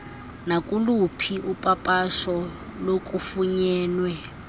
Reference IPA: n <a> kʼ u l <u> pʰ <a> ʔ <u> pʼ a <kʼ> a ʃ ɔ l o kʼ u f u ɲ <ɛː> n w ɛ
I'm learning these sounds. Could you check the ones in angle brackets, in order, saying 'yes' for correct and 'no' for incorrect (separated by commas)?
yes, yes, no, yes, no, yes